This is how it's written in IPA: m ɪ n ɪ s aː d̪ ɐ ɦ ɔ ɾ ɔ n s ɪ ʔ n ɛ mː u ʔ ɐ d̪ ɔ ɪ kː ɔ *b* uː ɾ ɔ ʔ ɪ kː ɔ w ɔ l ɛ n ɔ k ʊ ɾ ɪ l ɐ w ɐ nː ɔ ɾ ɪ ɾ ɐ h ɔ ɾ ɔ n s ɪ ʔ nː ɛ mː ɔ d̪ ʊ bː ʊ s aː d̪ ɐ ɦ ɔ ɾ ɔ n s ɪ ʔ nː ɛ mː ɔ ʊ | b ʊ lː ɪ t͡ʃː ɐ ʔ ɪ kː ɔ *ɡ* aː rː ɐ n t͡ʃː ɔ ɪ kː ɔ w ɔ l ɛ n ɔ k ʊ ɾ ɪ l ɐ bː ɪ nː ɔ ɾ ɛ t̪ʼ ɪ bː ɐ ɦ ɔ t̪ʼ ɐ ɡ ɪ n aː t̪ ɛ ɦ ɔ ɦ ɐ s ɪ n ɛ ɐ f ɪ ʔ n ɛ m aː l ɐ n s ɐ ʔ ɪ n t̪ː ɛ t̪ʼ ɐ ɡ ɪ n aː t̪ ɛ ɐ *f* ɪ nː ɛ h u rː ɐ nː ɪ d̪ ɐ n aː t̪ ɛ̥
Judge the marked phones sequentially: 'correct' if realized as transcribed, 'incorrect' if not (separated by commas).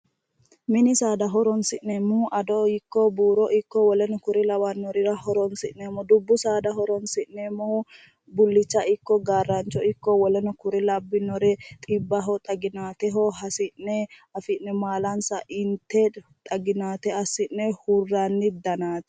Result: correct, correct, incorrect